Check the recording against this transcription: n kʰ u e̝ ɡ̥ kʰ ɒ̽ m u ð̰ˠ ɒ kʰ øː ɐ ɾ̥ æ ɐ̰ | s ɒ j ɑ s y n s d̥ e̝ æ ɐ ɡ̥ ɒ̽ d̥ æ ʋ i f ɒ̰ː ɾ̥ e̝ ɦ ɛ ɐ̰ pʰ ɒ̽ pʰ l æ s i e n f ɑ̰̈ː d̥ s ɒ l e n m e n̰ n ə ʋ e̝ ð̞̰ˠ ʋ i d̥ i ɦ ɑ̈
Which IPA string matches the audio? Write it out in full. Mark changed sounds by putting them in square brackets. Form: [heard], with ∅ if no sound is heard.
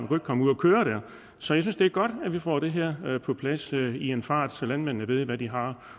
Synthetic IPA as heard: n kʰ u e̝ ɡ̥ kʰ ɒ̽ m u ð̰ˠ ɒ kʰ øː ɐ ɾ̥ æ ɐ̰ | s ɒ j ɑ s y n s d̥ e̝ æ ɐ ɡ̥ ɒ̽ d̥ æ ʋ i f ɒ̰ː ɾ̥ e̝ ɦ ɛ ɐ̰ pʰ ɒ̽ pʰ l æ s i e n f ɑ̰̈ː d̥ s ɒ l [æ] n m e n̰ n ə ʋ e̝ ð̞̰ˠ ʋ [æ] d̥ i ɦ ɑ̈